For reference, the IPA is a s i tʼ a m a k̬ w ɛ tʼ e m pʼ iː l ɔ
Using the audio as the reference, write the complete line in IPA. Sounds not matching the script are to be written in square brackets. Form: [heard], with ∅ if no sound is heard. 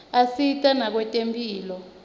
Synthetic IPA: a s i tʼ a [n] a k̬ w ɛ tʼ e m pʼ iː l ɔ